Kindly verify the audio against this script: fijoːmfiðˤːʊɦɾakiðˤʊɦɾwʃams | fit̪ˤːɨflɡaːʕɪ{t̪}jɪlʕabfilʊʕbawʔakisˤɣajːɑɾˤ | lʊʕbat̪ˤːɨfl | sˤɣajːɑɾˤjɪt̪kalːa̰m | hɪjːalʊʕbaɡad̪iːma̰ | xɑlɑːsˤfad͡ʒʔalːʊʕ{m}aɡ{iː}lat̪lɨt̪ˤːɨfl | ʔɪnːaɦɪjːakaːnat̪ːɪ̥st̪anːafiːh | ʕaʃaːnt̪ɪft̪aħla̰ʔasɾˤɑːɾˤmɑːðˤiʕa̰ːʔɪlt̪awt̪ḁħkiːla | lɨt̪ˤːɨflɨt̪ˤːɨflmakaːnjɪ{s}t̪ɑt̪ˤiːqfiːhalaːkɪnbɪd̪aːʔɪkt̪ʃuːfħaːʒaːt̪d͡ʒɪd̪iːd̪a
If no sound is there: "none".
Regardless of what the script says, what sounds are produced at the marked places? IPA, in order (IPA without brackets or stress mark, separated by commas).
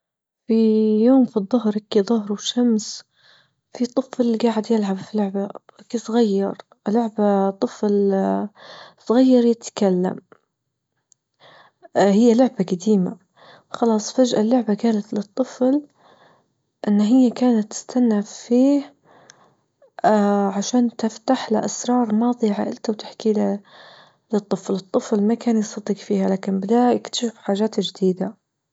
d̪, b, aː, s